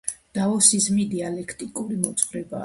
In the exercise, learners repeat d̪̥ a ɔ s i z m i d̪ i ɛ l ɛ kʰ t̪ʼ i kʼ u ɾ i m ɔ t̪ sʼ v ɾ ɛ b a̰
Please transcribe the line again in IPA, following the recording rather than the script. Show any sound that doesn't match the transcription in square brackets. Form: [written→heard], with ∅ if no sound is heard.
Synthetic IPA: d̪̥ a ɔ s i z m i d̪ i [ɛ→a] l ɛ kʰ t̪ʼ i kʼ u ɾ i m ɔ t̪ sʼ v ɾ ɛ b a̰